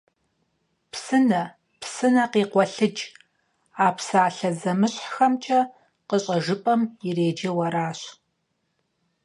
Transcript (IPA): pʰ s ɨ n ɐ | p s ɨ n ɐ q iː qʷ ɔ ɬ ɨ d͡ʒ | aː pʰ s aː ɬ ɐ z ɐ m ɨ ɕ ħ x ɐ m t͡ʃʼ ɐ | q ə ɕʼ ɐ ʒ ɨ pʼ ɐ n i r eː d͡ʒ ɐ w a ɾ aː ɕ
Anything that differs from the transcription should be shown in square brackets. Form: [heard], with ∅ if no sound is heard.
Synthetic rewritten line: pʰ s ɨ n ɐ | p s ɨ n ɐ q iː qʷ ɔ ɬ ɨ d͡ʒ | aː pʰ s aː ɬ ɐ z ɐ m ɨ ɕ ħ x ɐ m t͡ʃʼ ɐ | q ə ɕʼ ɐ ʒ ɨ pʼ ɐ [m] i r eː d͡ʒ ɐ w [ɐ] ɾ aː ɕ

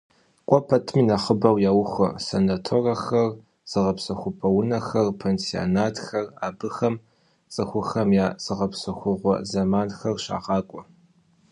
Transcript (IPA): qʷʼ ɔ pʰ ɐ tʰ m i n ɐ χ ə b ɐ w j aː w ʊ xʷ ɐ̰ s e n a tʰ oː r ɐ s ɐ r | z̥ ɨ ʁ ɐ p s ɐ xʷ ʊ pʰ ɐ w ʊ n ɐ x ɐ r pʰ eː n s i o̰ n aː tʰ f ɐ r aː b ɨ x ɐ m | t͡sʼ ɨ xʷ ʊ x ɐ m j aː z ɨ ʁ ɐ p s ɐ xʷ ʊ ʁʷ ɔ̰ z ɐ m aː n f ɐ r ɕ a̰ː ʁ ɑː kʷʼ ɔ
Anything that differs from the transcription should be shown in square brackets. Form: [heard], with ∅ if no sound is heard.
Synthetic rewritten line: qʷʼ ɔ pʰ ɐ tʰ m i n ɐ χ ə b ɐ w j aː w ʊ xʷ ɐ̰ s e n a tʰ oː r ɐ [x] ɐ r | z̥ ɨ ʁ ɐ p s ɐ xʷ ʊ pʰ ɐ w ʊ n ɐ x ɐ r pʰ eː n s i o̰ n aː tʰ [x] ɐ r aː b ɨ x ɐ m | t͡sʼ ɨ xʷ ʊ x ɐ m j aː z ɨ ʁ ɐ p s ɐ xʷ ʊ ʁʷ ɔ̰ z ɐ m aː n [x] ɐ r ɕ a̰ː ʁ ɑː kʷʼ ɔ

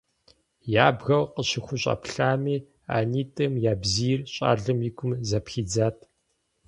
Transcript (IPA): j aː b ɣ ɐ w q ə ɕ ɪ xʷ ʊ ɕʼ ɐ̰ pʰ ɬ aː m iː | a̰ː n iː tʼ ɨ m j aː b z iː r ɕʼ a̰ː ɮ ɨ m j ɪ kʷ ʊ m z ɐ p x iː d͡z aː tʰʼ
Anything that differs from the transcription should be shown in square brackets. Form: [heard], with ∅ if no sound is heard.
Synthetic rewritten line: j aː b ɣ ɐ w q ə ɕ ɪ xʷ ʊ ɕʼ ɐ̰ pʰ ɬ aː m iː | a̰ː n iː tʼ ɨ m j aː b z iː r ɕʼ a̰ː ɮ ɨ m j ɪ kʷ ʊ m z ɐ p x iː d͡z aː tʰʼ

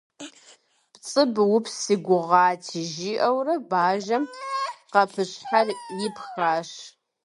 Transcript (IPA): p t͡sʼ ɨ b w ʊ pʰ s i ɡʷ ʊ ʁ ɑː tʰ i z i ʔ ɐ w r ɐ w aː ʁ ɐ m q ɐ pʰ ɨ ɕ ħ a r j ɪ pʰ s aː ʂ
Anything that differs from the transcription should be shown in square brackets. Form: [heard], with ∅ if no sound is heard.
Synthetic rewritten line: p t͡sʼ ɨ b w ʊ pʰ s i ɡʷ ʊ ʁ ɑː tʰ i [ʒ] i ʔ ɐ w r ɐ [b] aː [ʒ] ɐ m q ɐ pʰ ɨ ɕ ħ a r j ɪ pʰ [x] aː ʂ

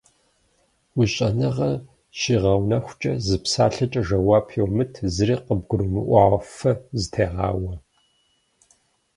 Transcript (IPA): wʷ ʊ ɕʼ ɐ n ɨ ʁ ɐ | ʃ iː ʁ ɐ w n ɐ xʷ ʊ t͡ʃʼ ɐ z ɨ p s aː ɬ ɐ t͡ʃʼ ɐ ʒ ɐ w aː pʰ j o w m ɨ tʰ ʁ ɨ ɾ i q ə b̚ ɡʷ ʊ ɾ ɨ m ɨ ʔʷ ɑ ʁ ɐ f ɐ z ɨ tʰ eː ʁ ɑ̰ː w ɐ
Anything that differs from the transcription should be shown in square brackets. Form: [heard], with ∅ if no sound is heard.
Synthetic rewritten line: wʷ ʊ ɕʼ ɐ n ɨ ʁ ɐ | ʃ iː ʁ ɐ w n ɐ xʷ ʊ t͡ʃʼ ɐ z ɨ p s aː ɬ ɐ t͡ʃʼ ɐ ʒ ɐ w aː pʰ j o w m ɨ tʰ [z] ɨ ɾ [iː] q ə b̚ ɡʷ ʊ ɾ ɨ m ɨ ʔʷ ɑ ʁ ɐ f ɐ z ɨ tʰ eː ʁ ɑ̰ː w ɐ

